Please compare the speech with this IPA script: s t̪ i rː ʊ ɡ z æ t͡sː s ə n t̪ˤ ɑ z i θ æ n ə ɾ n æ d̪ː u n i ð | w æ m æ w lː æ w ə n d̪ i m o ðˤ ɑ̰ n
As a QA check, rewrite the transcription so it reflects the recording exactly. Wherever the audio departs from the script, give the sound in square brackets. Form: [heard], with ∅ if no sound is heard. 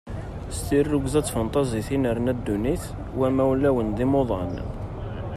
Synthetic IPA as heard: s t̪ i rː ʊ ɡ z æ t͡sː [f] ə n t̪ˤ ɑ z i θ [i] n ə ɾ n æ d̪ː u n i [θ] | w æ m æ w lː æ w ə n d̪ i m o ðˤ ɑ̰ n